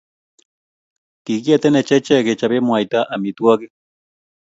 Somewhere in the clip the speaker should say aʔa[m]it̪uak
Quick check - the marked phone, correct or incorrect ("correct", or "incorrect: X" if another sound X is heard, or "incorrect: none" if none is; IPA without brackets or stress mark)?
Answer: correct